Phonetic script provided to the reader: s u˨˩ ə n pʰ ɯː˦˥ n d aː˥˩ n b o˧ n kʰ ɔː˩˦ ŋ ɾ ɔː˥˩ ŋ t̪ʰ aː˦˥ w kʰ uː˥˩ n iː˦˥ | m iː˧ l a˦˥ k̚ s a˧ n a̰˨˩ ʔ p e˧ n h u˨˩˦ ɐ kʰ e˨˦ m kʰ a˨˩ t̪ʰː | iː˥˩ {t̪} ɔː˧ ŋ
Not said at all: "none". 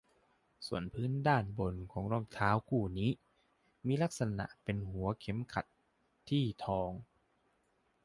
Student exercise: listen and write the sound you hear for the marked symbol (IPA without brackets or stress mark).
t̪ʰ